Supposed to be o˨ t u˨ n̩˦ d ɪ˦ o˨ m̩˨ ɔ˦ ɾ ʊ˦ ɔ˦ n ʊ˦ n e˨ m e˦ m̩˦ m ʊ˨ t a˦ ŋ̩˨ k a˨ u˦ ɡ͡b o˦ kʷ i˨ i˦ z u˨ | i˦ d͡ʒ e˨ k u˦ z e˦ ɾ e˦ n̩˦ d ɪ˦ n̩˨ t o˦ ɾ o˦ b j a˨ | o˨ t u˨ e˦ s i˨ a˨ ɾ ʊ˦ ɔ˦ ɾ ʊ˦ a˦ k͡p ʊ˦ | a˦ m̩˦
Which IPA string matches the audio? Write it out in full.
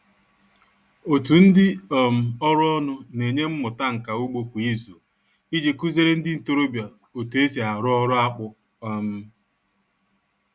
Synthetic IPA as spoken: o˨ t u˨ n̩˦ d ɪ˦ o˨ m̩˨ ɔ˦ ɾ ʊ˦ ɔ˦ n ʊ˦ n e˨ ɲ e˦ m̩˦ m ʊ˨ t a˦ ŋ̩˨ k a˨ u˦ ɡ͡b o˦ kʷ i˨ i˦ z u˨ | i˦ d͡ʒ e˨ k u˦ z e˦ ɾ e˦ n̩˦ d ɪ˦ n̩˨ t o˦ ɾ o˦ b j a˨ | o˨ t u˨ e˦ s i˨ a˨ ɾ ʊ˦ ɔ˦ ɾ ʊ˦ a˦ k͡p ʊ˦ | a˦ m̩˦